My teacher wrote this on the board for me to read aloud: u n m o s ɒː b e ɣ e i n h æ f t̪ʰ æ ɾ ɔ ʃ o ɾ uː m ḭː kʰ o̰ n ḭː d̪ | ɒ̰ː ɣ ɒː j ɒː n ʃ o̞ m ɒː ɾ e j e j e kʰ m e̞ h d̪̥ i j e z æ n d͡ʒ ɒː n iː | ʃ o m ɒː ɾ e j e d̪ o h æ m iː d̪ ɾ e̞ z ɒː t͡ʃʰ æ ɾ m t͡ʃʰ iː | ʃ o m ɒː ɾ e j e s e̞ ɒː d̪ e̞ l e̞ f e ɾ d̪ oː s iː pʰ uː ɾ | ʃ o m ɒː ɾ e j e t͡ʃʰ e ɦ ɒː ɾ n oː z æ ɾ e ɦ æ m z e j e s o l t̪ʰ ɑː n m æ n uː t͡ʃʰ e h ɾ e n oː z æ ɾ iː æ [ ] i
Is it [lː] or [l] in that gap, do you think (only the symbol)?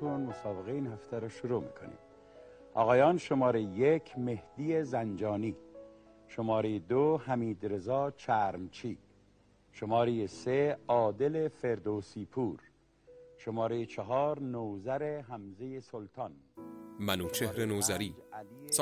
l